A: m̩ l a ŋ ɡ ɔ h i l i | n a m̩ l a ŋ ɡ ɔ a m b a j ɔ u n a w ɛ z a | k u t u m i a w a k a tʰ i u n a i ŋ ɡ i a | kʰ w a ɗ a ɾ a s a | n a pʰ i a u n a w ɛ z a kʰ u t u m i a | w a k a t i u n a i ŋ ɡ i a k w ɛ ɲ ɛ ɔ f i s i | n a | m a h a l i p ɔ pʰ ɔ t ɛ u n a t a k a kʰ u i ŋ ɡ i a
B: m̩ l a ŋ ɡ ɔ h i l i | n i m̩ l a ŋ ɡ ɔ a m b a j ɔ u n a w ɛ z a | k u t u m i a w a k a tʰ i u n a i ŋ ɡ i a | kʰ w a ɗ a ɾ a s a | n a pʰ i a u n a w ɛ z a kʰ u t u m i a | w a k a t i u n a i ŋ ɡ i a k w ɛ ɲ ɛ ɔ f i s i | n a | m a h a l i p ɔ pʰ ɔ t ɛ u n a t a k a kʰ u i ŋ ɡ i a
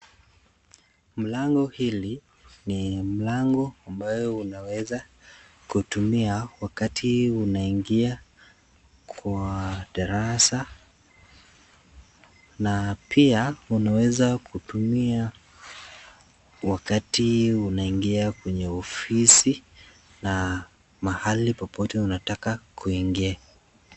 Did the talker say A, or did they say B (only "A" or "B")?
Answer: B